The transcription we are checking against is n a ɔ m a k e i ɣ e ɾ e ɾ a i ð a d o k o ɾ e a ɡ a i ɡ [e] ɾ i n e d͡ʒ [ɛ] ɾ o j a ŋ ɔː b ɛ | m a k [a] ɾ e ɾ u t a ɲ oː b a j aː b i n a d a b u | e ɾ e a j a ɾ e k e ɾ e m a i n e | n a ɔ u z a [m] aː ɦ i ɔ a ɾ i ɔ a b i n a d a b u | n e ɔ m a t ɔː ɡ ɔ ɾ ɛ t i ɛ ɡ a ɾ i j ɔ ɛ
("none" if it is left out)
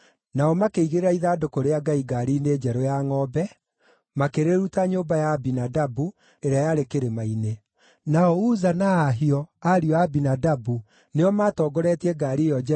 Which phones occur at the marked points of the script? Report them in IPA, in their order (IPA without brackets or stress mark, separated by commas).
a, ɛ, e, n